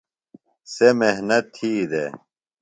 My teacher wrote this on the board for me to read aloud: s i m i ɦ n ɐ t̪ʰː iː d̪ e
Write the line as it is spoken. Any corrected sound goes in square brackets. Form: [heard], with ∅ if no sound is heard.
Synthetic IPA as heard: s [e] m [e] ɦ n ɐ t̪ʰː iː d̪ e